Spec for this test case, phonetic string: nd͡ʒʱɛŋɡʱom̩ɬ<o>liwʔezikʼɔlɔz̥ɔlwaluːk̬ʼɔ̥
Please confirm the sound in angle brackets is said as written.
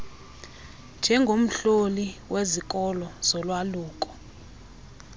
yes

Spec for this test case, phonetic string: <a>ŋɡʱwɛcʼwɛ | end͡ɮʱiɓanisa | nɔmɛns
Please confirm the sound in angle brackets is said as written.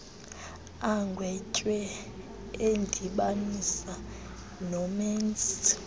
yes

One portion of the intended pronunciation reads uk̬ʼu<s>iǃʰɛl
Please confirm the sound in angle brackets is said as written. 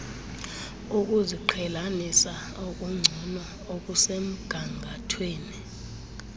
no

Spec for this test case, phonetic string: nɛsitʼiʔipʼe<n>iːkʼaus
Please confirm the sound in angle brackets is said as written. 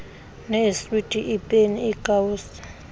yes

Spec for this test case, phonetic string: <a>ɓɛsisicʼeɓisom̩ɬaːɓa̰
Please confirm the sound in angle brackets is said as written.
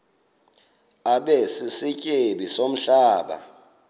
yes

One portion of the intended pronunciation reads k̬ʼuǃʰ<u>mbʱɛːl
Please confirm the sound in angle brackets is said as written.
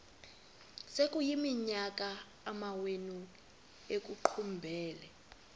yes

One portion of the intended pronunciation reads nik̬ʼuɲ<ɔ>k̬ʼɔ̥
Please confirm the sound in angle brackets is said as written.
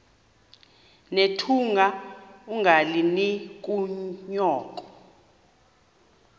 no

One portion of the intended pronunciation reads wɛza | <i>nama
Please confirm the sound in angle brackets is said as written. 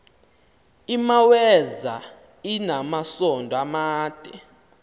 yes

